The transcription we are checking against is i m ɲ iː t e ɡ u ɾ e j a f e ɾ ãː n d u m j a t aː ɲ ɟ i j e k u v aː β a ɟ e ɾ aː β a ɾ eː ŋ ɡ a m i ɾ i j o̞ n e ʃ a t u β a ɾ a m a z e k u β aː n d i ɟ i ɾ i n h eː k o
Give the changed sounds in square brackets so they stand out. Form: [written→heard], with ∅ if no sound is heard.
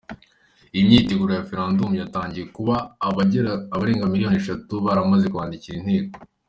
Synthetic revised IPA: i m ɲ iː t e ɡ u ɾ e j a f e ɾ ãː n d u m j a t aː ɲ ɟ i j e k u [v→β] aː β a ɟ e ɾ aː β a ɾ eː ŋ ɡ a m i ɾ i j o̞ n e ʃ a t u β a ɾ a m a z e k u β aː n d i [ɟ→c] i ɾ i n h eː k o